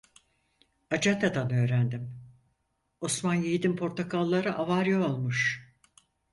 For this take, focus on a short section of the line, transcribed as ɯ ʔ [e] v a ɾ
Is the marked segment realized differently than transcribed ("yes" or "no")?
yes